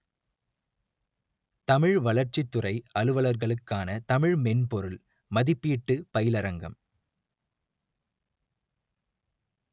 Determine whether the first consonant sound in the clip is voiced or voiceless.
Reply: voiceless